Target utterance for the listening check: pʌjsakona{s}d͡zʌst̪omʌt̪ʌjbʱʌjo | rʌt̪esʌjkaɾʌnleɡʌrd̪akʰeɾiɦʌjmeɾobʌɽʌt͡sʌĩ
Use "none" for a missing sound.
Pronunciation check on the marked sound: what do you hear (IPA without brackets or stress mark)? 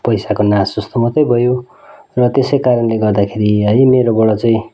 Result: s